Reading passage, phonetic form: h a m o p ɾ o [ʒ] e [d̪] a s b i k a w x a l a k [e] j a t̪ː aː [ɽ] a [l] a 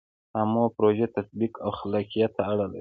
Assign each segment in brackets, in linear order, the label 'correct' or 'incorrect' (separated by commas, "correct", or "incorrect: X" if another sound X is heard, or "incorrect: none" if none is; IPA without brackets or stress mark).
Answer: correct, incorrect: t̪, incorrect: i, correct, correct